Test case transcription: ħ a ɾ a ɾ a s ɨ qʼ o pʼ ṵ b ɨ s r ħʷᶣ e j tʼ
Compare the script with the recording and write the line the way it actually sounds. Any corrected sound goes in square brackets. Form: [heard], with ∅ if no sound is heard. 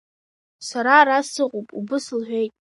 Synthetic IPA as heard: [s] a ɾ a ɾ a s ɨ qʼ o pʼ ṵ b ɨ s [l] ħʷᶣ e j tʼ